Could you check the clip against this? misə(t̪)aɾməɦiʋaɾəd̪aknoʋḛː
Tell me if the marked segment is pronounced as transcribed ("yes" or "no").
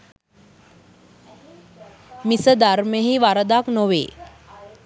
no